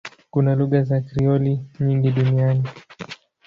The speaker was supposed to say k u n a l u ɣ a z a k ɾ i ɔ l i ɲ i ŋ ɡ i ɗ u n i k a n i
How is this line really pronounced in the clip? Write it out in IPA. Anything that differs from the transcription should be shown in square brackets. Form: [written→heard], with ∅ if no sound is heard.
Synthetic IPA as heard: k u n a l u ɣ a z a k ɾ i ɔ l i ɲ i ŋ ɡ i ɗ u n i [k→∅] a n i